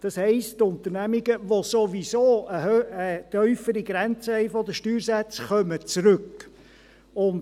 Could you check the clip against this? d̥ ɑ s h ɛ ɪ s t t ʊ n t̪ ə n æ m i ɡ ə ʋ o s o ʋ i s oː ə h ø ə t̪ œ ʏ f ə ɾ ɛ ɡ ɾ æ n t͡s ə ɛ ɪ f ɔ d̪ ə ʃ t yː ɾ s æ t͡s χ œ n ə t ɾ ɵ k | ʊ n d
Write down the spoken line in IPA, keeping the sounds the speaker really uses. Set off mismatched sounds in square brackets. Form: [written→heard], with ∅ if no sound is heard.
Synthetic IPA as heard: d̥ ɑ s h ɛ ɪ s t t ʊ n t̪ ə n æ m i ɡ ə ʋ o s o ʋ i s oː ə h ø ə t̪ œ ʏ f ə ɾ [ɛ→i] ɡ ɾ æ n t͡s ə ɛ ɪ f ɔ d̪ ə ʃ t yː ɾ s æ t͡s χ œ [n→m] ə [t→t͡s] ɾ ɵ k | ʊ n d